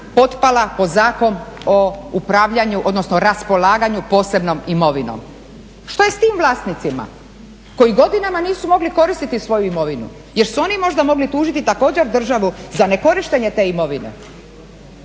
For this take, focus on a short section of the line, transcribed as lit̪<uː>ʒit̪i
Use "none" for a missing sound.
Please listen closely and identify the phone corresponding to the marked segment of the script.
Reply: uː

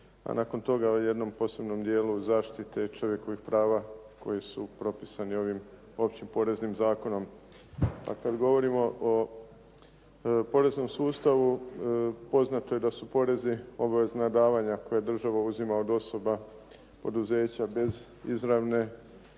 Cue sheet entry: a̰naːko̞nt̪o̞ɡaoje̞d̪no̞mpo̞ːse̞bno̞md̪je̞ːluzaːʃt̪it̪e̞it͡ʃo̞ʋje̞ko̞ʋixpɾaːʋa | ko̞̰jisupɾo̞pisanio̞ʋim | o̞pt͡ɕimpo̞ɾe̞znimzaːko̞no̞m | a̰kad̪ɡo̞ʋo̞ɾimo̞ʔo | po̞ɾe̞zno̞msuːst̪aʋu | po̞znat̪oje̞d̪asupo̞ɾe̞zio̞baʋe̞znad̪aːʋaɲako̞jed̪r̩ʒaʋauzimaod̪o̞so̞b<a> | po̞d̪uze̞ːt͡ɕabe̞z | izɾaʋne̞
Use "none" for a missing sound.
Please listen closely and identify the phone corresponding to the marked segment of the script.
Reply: a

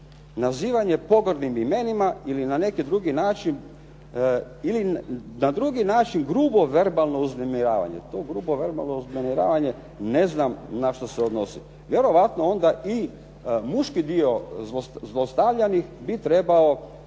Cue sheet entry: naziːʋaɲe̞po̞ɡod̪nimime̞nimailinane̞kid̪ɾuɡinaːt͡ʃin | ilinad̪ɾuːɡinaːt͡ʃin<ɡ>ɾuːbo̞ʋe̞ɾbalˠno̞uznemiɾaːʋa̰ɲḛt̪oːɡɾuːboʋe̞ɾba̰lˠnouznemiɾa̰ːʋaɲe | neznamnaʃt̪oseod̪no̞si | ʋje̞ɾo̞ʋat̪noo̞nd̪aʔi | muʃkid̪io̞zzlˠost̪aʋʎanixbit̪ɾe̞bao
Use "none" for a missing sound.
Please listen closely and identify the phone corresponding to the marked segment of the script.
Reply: ɡ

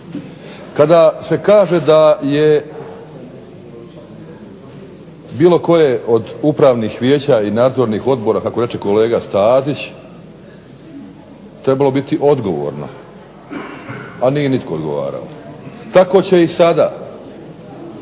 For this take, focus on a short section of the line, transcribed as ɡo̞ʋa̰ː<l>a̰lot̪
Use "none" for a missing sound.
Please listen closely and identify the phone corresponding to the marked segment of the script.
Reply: ɾ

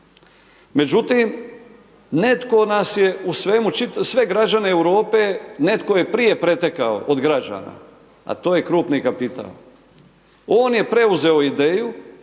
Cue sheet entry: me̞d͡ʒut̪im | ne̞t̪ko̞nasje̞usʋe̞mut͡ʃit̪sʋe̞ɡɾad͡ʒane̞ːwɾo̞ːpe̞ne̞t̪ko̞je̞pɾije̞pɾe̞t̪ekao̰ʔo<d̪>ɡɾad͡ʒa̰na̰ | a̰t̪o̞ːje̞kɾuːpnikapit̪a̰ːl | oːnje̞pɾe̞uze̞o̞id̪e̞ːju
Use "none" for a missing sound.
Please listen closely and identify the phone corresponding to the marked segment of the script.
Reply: d̪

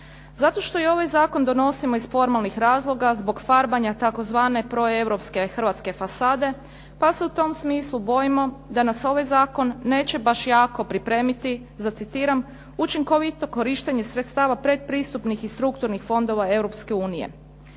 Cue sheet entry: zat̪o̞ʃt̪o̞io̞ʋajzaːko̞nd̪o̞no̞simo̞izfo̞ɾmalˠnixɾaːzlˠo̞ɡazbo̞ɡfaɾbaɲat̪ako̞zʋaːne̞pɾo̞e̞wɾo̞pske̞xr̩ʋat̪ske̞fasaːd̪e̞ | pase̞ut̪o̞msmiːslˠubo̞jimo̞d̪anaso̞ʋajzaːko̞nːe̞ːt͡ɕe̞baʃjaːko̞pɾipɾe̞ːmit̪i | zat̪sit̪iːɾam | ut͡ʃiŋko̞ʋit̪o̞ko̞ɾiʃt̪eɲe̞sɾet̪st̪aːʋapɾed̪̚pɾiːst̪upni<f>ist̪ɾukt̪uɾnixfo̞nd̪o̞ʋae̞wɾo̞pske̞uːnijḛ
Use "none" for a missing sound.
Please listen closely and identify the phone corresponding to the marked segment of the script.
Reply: x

